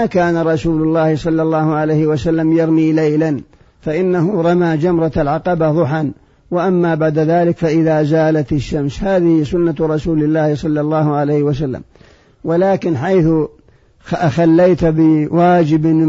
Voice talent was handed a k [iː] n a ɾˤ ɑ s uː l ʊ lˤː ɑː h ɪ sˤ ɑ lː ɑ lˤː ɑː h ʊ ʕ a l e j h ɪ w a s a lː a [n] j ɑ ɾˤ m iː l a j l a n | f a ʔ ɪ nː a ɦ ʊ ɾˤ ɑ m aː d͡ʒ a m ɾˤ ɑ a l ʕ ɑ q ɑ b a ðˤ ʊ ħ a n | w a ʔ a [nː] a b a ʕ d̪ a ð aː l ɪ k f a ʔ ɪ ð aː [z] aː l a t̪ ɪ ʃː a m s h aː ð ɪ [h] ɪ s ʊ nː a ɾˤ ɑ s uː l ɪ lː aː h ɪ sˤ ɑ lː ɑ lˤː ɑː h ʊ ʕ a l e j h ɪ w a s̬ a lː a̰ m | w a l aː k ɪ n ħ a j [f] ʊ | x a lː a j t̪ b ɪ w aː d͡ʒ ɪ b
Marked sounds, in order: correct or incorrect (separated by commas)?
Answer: incorrect, incorrect, incorrect, correct, correct, incorrect